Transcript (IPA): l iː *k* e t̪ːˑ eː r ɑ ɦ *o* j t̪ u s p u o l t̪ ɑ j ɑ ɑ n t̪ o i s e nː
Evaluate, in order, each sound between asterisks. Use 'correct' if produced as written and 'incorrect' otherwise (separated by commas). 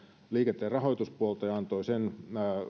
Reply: correct, correct